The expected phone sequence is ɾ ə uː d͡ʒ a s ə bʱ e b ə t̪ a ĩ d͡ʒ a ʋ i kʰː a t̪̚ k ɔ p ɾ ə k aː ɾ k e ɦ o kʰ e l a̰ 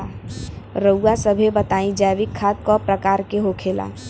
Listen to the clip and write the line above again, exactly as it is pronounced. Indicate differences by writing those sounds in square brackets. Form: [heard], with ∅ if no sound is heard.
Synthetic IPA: ɾ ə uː [∅] a s ə bʱ e b ə t̪ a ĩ d͡ʒ a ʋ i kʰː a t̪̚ k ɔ p ɾ ə k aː ɾ k e ɦ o kʰ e l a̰